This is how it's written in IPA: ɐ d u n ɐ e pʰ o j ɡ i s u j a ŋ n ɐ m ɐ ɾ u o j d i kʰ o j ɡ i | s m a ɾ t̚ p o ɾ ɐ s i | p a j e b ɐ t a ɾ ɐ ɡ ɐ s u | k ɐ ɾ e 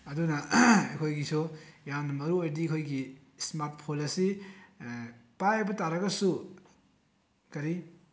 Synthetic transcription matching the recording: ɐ d u n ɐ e kʰ o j ɡ i s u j a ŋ n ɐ m ɐ ɾ u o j d i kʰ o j ɡ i | s m a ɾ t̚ pʰ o l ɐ s i | p a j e b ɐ t a ɾ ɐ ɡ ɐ s u | k ɐ ɾ i